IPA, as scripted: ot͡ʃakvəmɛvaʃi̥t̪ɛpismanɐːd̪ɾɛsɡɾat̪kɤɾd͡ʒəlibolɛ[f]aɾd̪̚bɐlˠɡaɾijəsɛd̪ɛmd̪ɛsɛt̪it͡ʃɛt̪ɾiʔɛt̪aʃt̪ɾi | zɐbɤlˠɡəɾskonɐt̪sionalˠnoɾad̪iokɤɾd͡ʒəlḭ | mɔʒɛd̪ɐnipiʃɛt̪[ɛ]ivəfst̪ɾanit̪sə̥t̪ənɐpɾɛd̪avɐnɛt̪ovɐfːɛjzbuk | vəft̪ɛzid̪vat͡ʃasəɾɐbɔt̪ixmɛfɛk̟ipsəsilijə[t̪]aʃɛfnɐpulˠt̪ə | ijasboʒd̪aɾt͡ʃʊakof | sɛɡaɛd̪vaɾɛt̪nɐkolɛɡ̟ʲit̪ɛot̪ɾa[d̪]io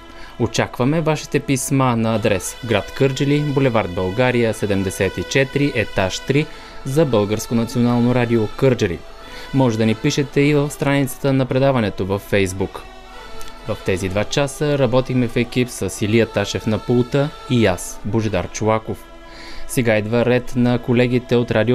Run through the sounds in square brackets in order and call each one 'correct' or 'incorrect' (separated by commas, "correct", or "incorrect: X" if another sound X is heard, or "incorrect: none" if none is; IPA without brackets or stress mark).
incorrect: v, correct, correct, correct